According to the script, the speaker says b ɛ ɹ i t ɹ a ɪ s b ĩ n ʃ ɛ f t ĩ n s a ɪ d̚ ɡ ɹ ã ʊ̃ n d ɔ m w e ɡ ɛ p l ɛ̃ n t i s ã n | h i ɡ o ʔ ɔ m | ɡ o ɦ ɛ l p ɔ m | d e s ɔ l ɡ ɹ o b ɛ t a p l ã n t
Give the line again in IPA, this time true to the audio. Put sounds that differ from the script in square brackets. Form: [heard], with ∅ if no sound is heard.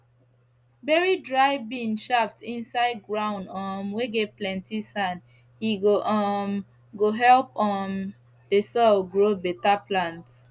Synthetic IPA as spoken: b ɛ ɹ i [d] ɹ a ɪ [∅] b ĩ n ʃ [a] f t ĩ n s a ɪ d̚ ɡ ɹ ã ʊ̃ n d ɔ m w e ɡ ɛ p l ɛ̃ n t i s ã n | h i ɡ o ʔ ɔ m | ɡ o ɦ ɛ l p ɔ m | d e s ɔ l ɡ ɹ o b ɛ t a p l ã n t